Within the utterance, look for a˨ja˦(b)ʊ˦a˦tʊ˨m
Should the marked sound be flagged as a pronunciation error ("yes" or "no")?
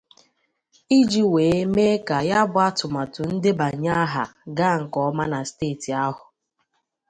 no